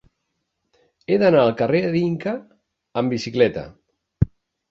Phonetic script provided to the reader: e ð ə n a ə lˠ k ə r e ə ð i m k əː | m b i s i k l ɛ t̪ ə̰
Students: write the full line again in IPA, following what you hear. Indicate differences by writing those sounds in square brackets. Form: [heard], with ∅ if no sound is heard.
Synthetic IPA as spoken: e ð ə n a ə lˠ k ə r e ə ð i [ŋ] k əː | m b i s i k l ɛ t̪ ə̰

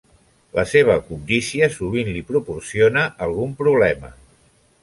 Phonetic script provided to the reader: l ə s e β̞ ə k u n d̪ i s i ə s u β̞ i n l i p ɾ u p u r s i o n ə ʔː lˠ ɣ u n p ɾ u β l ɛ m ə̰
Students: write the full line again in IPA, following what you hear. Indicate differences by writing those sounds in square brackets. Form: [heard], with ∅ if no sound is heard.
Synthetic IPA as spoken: l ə s e β̞ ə k u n d̪ i s i ə s u β̞ i n l i p ɾ u p u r s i o n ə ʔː lˠ ɣ u [m] p ɾ u β l ɛ m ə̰

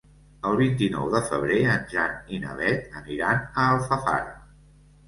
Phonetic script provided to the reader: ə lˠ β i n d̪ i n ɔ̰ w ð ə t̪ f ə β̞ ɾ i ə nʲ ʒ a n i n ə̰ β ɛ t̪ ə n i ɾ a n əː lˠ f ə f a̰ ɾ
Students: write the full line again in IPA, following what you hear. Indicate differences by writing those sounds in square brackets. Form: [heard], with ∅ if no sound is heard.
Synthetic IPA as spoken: ə lˠ β i n [t̪] i n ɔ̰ w ð ə [∅] f ə β̞ ɾ [e] ə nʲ ʒ a n i n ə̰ β ɛ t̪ ə n i ɾ a n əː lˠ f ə f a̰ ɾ

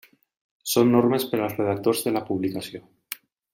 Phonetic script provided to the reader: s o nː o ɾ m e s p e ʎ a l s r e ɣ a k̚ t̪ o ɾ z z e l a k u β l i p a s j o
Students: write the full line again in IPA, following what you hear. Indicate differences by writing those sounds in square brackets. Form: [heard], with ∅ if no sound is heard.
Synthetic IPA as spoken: s o nː o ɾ m e s p e [ɾ] a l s r e [ð] a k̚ t̪ o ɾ z [ð] e l a [p] u β l i [k] a s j o

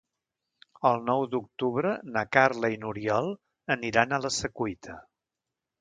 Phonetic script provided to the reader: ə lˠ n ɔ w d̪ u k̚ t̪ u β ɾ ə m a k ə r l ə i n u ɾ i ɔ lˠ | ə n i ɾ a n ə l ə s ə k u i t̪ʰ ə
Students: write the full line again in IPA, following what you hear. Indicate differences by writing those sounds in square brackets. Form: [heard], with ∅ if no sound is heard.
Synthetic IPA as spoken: ə lˠ n ɔ w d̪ u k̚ t̪ u β ɾ ə [n] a k [a] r l ə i n u ɾ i ɔ lˠ | ə n i ɾ a n ə l ə s ə k u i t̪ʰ ə

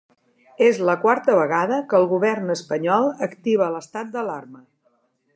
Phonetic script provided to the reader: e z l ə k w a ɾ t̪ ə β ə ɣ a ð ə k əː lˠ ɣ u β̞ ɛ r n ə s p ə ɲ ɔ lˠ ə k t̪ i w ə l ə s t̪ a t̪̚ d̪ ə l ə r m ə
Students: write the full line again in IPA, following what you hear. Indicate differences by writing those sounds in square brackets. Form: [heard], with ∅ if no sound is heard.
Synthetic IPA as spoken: e z l ə k w a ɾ t̪ ə β ə ɣ a ð ə k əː lˠ ɣ u β̞ ɛ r n ə s p ə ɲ ɔ lˠ ə k t̪ i [β] ə l ə s t̪ a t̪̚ d̪ ə l [a] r m ə

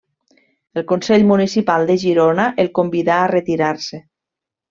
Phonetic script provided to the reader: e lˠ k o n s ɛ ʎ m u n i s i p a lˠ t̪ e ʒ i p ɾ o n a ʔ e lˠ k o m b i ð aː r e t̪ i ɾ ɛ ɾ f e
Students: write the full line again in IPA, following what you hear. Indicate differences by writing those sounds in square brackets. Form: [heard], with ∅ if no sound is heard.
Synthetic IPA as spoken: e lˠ k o n s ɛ ʎ m u n i s i p a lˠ [d̪] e ʒ i [∅] ɾ o n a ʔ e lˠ k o m b i ð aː r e t̪ i ɾ [a] ɾ [s] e

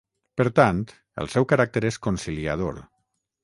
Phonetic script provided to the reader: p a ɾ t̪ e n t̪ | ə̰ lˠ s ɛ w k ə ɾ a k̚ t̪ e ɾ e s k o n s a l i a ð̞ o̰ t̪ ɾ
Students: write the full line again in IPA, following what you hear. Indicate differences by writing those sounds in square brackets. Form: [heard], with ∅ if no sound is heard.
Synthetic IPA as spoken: p [ə] ɾ t̪ [a] n t̪ | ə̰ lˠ s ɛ w k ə ɾ a k̚ t̪ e ɾ e s k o n s [i] l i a ð̞ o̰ [∅] ɾ

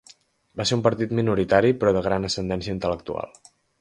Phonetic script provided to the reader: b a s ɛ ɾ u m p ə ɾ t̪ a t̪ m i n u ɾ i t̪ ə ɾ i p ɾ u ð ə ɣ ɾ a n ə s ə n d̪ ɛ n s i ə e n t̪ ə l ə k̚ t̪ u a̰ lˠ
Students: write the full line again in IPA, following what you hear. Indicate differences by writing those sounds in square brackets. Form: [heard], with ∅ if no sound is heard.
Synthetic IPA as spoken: b a s [e] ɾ u m p ə ɾ t̪ [i] t̪ m i n u ɾ i t̪ [a] ɾ i p ɾ [ɔ] ð ə ɣ ɾ a n ə s ə n d̪ ɛ n s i ə [i] n t̪ ə l ə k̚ t̪ u a̰ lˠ

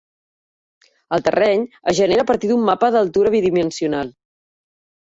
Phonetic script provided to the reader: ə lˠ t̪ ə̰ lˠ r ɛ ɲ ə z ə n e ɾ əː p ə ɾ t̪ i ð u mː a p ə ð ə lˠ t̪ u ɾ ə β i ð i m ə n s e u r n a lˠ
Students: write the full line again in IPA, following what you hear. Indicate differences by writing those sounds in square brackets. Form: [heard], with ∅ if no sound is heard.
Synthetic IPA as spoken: ə lˠ t̪ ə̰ [∅] r ɛ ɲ ə [ʒ] ə n e ɾ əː p ə ɾ t̪ i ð u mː a p ə ð ə lˠ t̪ u ɾ ə β i ð i m ə n s [i] u [∅] n a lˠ

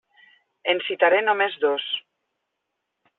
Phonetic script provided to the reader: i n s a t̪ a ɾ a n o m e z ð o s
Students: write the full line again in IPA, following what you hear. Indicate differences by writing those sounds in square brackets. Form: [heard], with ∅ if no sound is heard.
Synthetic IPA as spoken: [e] n s [i] t̪ a ɾ [e] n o m e z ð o s

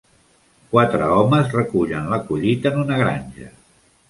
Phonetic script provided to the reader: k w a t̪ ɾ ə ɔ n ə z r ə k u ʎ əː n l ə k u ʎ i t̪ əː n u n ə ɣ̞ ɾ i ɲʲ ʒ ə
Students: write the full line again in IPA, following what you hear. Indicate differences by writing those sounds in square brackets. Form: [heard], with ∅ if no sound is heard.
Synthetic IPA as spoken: k w a t̪ ɾ ə ɔ [m] ə z r ə k u ʎ [ə] n l ə k u ʎ i t̪ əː n u n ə ɣ̞ ɾ [a] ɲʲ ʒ ə

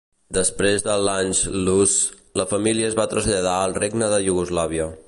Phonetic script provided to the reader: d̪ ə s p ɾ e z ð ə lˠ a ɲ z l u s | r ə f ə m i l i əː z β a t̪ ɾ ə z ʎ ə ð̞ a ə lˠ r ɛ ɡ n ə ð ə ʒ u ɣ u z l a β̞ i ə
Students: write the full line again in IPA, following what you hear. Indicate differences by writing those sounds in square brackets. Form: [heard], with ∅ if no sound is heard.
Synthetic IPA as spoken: d̪ ə s p ɾ e z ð ə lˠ a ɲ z l u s | [l] ə f ə m i l i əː z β a t̪ ɾ ə z ʎ ə ð̞ a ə lˠ r [e] ɡ n ə ð ə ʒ u ɣ u z l a β̞ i ə

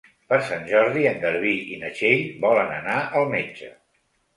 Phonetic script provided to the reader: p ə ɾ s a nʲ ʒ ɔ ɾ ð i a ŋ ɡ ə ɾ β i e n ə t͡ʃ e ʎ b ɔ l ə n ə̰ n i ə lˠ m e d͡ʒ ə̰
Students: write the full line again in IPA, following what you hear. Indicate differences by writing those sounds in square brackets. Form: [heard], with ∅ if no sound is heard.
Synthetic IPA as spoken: p ə ɾ s a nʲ ʒ ɔ ɾ ð i [ə] ŋ ɡ ə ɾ β i [i] n ə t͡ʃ e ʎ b ɔ l ə n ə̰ n [a] ə lˠ m e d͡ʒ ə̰

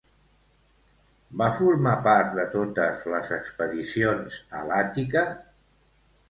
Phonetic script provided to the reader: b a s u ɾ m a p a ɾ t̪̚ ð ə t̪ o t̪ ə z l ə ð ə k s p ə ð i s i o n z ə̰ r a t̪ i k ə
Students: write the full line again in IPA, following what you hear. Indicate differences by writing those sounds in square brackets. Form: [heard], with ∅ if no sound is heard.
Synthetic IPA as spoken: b a [f] u ɾ m a p a ɾ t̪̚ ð ə t̪ o t̪ ə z l ə [z] ə k s p ə ð i s i o n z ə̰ [l] a t̪ i k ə

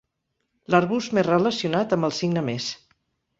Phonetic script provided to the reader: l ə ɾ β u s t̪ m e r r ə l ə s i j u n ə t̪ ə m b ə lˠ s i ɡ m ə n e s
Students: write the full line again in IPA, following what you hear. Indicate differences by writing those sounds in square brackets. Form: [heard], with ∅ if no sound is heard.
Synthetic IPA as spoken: l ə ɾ β u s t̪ m e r r ə l ə s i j u n [a] t̪ ə m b ə lˠ s i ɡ [n] ə [m] e s

